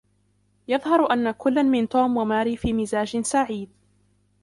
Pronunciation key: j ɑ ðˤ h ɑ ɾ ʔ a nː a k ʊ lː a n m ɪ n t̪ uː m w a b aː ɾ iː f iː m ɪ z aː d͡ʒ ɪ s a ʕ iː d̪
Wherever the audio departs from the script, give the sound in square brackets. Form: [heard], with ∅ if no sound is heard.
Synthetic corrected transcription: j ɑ ðˤ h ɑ ɾ ʔ a nː a k ʊ lː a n m ɪ n t̪ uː m w a [m] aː ɾ iː f iː m ɪ z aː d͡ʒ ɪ s a ʕ iː d̪